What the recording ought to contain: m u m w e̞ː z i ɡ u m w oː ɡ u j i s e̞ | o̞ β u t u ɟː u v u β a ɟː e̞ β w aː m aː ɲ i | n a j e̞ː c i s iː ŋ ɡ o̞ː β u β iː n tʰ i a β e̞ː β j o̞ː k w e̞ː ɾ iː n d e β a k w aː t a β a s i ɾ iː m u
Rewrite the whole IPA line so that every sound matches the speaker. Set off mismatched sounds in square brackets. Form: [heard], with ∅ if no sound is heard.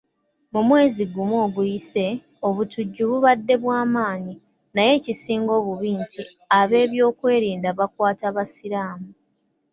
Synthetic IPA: m u m w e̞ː z i ɡ u m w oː ɡ u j i s e̞ | o̞ β u t u ɟː u [β] u β a [dː] e̞ β w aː m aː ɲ i | n a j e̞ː c i s iː ŋ ɡ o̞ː β u β iː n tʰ i a β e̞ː β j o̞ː k w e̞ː ɾ iː n d [a] β a k w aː t a β a s i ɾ [aː] m u